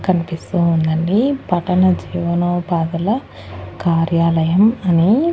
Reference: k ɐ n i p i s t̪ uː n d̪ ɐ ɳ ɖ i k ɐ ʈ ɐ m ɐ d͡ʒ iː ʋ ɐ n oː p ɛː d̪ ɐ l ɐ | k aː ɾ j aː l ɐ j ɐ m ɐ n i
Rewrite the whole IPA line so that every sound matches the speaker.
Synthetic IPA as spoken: k ɐ n i p i s t̪ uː n d̪ ɐ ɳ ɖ i p ɐ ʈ ɐ n ɐ d͡ʒ iː ʋ ɐ n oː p aː d̪ ɐ l ɐ | k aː ɾ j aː l ɐ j ɐ m ɐ n i